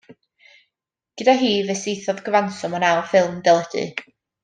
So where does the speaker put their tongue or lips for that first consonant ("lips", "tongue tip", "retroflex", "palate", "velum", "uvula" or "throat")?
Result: velum